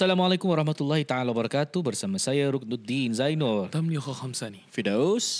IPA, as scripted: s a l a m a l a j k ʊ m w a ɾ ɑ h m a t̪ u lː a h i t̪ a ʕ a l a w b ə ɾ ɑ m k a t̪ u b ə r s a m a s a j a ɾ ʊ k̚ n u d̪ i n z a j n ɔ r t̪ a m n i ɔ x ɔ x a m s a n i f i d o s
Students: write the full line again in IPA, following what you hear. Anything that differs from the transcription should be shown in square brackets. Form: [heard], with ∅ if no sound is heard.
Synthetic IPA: s a l a m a l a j k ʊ m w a ɾ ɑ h m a t̪ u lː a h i t̪ a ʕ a l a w b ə ɾ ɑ [∅] k a t̪ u b ə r s a m a s a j a ɾ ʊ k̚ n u d̪ i n z a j n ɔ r t̪ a m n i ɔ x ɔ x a m s a n i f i d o s